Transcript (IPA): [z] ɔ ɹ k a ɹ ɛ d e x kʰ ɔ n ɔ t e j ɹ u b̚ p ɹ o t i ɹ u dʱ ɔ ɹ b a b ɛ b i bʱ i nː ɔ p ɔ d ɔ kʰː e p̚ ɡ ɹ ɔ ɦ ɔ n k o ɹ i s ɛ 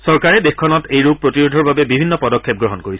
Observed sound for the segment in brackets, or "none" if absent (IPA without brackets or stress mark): s